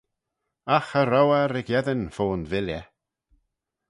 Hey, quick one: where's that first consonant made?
velum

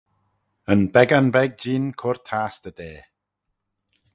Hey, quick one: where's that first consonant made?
tongue tip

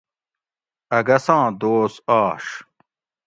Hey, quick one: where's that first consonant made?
velum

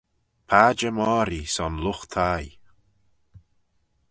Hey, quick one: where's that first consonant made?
lips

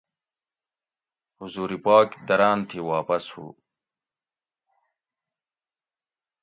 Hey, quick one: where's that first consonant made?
throat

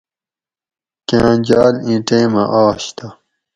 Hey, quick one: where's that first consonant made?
velum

